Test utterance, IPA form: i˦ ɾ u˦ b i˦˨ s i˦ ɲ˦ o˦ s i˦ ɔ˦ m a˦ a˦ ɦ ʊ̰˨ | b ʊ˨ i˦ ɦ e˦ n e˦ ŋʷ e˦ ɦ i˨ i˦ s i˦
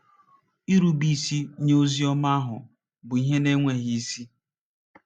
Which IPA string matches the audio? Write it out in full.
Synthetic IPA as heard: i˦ ɾ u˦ b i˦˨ s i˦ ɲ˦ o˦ z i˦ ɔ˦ m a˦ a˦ ɦ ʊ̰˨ | b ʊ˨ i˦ ɦ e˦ n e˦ ŋʷ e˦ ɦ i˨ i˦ s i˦

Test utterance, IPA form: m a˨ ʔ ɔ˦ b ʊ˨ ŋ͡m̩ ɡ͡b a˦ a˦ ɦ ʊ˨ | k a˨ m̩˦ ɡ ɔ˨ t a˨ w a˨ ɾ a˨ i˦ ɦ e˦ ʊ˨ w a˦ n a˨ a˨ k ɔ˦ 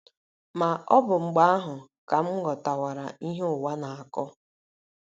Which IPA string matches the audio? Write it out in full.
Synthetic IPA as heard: m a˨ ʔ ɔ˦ b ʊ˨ ŋ͡m̩ ɡ͡b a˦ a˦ ɦ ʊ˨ | k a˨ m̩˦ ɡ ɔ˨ t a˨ w a˨ ɾ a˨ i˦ ɦ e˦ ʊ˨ w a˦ n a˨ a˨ k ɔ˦

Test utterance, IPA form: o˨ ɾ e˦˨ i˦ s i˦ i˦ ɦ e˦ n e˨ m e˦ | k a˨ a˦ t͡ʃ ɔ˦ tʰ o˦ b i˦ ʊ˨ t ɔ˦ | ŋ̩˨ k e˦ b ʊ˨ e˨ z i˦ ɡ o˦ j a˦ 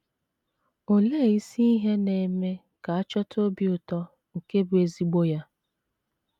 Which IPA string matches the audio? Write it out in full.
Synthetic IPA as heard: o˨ l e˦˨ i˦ s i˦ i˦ ɦ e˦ n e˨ m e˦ | k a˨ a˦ t͡ʃ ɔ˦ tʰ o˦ b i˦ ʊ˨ t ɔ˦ | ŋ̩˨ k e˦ b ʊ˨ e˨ z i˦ ɡ͡b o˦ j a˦

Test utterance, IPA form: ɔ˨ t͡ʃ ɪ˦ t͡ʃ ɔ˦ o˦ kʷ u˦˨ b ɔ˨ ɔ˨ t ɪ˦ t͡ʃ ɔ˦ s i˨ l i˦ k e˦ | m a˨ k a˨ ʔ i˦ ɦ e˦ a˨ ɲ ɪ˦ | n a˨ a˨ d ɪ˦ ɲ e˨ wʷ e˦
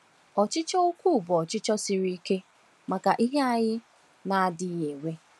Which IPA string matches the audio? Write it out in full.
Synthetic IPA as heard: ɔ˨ t͡ʃ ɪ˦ t͡ʃ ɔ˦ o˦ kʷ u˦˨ b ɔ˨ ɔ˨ t͡ʃ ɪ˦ t͡ʃ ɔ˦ s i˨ ɾ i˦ k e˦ | m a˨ k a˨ ʔ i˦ ɦ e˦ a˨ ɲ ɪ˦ | n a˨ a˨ d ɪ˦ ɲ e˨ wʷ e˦

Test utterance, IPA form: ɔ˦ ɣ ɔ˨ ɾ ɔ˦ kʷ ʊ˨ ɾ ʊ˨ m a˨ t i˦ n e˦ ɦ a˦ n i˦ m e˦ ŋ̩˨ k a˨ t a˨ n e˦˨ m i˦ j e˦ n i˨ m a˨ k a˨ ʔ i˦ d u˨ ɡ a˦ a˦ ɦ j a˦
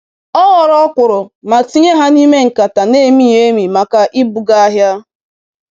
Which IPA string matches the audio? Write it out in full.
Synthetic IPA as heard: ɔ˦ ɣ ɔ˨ ɾ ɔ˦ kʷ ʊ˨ ɾ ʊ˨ m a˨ t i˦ ɲ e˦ ɦ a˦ n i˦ m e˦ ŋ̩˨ k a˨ t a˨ n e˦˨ m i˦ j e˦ m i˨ m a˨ k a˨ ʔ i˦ b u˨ ɡ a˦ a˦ ɦ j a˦

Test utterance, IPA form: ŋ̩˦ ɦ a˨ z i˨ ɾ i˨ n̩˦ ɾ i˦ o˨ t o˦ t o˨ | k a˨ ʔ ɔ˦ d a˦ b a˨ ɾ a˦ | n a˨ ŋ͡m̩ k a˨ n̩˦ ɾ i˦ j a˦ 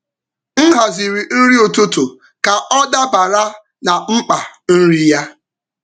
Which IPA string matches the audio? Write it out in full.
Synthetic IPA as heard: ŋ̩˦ ɦ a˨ z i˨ ɾ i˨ n̩˦ ɾ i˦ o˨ t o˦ t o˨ | k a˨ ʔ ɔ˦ d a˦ b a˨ ɾ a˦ | n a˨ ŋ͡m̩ k͡p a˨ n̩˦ ɾ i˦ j a˦

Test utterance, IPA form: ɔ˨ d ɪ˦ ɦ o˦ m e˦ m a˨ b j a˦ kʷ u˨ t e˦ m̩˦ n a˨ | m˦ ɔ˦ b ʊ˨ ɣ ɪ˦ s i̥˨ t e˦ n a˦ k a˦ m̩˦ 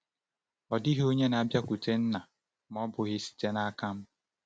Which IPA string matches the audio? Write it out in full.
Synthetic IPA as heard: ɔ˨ d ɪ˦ ɦ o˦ ɲ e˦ n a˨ b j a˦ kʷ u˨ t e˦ n̩˦ n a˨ | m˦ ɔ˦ b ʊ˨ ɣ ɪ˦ s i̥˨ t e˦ n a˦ k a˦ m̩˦

